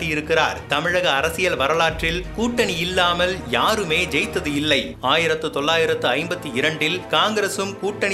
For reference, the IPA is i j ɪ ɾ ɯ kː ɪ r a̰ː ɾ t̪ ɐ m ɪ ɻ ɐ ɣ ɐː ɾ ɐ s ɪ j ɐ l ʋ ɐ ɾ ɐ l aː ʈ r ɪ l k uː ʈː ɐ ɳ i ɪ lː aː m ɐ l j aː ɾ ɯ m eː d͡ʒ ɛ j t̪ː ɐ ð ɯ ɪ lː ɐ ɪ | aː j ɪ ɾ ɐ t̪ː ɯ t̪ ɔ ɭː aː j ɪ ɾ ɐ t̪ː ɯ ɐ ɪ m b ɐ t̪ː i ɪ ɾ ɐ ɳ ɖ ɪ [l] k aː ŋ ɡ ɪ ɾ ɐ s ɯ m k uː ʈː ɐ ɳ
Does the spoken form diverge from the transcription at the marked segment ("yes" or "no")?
no